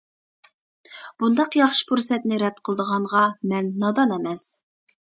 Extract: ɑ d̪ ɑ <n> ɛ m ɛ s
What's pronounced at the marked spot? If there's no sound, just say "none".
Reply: n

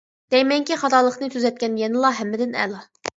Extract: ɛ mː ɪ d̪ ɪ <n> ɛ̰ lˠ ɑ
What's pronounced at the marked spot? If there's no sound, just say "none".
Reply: n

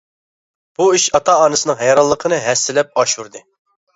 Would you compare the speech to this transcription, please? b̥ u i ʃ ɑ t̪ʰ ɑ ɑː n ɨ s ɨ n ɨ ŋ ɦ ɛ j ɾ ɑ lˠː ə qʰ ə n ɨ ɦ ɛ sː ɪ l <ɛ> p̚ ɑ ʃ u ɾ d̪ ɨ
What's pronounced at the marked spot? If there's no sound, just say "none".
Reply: ɛ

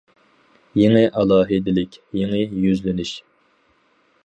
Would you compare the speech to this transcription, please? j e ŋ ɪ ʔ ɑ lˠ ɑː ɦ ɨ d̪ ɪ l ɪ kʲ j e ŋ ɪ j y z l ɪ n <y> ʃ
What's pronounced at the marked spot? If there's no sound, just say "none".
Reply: y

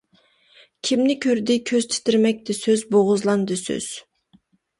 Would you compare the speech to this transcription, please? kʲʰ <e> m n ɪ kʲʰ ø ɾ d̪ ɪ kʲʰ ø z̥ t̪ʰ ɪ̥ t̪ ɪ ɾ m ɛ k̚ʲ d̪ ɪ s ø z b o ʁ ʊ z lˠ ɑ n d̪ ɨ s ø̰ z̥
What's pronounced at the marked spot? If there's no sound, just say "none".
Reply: i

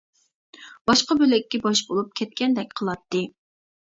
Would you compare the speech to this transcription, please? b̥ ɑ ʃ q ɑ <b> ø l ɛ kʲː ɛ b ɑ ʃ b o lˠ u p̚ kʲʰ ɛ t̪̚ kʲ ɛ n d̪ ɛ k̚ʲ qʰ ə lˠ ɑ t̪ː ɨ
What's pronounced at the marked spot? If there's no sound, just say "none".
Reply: b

